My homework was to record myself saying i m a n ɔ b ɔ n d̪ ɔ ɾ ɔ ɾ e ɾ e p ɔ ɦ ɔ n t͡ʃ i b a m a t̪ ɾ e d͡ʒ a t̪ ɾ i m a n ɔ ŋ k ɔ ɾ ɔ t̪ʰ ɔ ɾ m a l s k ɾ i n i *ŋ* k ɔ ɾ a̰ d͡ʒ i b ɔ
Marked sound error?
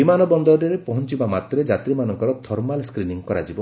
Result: no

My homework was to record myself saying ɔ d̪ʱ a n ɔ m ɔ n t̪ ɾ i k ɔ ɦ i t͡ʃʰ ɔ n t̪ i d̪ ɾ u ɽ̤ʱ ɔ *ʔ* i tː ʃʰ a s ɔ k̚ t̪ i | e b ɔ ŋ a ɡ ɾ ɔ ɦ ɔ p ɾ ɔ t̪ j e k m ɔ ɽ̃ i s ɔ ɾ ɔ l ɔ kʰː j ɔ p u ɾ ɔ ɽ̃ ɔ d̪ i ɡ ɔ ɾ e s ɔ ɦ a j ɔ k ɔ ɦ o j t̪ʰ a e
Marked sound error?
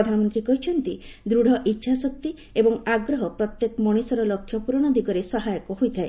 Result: no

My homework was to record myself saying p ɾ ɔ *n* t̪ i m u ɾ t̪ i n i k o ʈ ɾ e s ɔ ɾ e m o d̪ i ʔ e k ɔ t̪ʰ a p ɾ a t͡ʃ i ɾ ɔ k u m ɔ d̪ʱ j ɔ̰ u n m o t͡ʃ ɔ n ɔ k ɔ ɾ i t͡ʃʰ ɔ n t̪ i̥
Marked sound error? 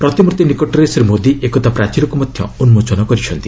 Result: yes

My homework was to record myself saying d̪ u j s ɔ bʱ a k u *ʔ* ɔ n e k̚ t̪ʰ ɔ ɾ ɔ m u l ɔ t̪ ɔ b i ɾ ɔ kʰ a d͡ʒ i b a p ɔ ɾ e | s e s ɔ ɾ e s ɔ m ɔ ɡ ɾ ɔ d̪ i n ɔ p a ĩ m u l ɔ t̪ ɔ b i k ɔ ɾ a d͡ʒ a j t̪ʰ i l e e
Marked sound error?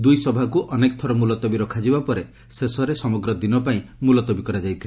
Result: no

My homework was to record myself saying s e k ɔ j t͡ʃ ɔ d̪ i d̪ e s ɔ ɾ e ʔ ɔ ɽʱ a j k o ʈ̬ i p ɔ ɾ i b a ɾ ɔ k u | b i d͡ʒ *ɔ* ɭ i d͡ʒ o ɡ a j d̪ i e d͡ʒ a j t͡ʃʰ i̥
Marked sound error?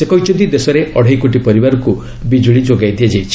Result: yes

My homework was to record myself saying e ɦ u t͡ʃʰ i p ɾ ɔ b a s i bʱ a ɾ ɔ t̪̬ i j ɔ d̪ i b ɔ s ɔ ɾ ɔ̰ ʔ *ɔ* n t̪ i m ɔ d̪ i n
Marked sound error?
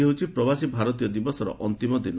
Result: no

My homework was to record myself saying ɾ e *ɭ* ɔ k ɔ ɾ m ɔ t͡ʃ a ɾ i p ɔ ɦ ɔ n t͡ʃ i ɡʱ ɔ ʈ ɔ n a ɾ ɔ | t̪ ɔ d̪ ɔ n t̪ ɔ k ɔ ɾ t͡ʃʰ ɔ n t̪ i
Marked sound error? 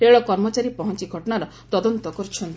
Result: no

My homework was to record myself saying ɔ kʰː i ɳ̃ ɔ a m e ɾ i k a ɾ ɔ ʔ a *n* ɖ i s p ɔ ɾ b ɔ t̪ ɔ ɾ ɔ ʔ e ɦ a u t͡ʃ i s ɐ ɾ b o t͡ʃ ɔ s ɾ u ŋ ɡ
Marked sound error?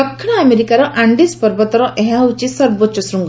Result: yes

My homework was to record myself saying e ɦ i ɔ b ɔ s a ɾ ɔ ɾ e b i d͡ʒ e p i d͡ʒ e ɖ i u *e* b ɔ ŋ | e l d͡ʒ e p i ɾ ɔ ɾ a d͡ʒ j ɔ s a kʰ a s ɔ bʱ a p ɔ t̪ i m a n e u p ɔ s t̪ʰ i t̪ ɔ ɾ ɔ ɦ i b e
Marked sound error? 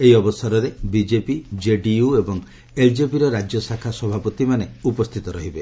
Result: no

